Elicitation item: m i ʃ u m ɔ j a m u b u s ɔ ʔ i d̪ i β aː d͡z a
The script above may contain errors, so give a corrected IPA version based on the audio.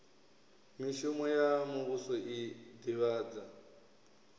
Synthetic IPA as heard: m i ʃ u m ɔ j a m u β u s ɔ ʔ i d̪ i β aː d͡z a